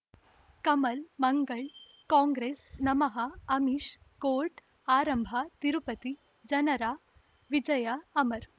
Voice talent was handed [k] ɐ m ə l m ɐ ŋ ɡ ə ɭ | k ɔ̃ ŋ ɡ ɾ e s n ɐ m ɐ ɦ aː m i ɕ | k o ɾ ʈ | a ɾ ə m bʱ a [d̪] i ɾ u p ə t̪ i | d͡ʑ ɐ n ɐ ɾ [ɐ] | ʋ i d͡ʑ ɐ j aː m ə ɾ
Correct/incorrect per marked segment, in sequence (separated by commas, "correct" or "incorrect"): correct, incorrect, incorrect